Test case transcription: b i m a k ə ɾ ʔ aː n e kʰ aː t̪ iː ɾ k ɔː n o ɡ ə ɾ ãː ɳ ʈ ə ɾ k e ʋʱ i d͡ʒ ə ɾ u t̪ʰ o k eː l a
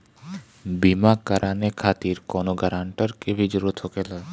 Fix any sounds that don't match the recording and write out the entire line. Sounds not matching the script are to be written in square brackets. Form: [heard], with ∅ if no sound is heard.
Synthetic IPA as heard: b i m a k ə ɾ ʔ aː n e kʰ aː t̪ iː ɾ k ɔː n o ɡ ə ɾ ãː ɳ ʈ ə ɾ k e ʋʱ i d͡ʒ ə ɾ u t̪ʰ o k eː l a